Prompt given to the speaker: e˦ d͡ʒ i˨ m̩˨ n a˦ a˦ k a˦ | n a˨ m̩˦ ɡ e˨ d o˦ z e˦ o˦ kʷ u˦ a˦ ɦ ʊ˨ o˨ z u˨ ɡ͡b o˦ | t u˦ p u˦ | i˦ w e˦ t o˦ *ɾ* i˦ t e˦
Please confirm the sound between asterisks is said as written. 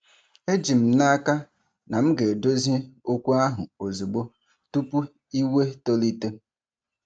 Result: no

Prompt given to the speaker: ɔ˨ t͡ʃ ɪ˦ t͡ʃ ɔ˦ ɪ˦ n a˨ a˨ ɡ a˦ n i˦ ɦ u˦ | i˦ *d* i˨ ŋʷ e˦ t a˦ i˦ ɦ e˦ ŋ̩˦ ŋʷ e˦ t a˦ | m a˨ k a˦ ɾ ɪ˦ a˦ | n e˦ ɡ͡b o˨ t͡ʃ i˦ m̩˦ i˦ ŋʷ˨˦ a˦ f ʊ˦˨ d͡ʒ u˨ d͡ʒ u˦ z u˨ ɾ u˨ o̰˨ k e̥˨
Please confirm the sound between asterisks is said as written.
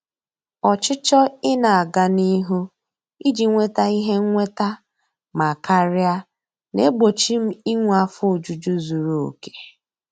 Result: no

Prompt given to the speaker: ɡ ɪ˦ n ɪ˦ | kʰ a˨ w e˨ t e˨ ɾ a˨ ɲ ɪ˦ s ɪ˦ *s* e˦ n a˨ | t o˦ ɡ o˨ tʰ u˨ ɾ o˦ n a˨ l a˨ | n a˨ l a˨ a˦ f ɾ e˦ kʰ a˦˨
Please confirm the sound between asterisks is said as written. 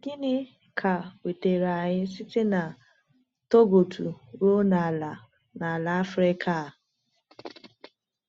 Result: no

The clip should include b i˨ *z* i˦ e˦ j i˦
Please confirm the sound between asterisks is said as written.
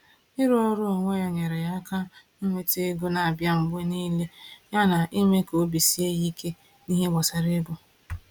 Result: no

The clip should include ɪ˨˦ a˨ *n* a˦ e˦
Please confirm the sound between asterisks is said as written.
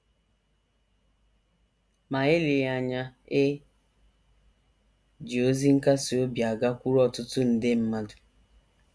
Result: no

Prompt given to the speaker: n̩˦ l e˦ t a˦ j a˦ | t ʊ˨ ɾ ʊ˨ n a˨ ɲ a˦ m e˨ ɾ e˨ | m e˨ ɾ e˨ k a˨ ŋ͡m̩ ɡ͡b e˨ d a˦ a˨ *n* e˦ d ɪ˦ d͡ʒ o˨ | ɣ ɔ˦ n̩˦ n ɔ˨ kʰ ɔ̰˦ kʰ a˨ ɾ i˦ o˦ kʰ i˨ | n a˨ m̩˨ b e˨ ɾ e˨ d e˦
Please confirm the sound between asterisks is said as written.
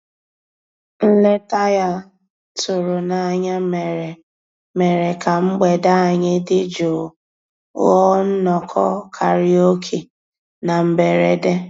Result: no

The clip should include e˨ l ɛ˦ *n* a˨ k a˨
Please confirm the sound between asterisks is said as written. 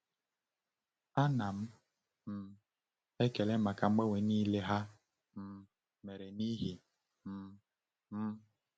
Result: no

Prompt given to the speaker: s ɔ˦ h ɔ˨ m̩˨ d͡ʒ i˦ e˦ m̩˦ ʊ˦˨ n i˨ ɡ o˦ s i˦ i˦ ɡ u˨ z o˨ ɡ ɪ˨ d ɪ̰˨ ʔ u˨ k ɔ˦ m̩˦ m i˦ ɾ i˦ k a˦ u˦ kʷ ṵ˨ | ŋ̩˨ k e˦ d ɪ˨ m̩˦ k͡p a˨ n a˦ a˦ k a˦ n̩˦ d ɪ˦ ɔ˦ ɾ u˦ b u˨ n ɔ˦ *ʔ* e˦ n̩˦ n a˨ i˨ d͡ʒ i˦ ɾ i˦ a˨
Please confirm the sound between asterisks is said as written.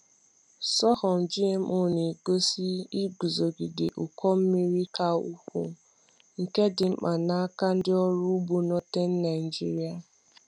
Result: no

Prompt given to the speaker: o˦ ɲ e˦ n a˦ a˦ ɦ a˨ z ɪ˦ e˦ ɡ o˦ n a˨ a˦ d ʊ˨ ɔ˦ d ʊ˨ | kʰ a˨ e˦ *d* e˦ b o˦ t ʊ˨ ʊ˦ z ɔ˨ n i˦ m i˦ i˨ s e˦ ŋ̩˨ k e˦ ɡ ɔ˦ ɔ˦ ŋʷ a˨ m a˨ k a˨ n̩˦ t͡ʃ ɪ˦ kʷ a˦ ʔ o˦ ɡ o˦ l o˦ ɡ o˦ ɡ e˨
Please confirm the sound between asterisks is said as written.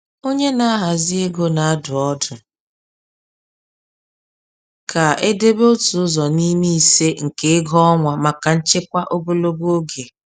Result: yes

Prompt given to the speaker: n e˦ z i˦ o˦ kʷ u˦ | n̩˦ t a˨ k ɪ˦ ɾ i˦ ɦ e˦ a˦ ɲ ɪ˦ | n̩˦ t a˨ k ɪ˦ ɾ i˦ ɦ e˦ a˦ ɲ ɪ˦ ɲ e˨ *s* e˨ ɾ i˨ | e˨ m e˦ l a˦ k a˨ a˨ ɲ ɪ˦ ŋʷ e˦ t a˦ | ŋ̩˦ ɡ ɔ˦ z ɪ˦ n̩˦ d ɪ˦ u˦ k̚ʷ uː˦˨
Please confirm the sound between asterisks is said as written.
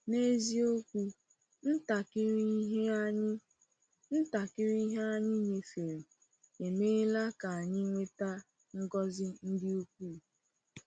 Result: no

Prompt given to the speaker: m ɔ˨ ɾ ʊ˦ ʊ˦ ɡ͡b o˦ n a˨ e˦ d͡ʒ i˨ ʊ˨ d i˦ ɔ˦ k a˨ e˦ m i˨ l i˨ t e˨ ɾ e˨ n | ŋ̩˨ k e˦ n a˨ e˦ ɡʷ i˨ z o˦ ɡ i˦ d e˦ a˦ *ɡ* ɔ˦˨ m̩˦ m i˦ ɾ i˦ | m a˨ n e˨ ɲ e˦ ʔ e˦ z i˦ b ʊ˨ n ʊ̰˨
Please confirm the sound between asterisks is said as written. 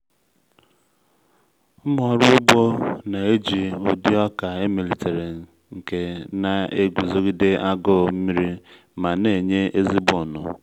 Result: yes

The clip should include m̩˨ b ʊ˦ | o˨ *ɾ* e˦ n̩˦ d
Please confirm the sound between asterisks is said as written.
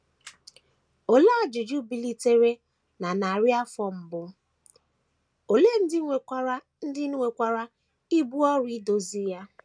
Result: no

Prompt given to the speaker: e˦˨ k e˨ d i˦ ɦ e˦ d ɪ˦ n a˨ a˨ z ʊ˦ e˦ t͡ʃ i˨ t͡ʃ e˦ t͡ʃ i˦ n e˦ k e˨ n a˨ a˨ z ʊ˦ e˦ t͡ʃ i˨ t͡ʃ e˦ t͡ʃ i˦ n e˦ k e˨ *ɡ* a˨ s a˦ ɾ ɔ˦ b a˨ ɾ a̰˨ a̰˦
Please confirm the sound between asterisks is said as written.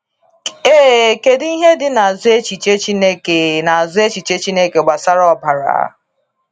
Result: no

